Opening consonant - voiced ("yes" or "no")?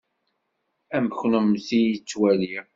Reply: yes